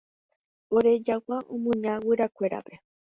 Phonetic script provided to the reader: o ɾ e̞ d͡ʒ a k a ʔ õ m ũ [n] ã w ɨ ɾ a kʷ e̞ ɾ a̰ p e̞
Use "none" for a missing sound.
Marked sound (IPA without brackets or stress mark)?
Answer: ɲ